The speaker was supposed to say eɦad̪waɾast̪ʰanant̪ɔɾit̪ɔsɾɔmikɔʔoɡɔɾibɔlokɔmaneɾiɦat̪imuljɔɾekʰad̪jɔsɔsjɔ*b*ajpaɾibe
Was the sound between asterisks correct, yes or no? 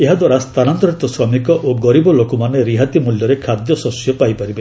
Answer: no